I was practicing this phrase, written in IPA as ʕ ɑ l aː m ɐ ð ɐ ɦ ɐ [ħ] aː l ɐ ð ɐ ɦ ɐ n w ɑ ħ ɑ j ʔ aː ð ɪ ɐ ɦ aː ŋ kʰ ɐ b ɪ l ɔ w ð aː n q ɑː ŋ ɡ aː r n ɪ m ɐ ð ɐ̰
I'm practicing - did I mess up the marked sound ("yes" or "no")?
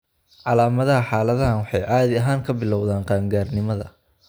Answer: no